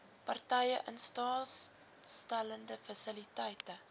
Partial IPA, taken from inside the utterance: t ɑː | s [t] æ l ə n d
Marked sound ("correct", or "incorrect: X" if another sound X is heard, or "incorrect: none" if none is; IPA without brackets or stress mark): correct